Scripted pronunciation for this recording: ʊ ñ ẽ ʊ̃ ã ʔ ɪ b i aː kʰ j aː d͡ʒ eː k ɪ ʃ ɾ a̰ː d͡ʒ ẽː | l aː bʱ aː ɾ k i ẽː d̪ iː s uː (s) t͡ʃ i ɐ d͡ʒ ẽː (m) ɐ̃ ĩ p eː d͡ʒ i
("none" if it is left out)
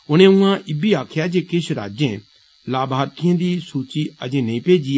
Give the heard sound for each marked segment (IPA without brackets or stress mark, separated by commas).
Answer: none, n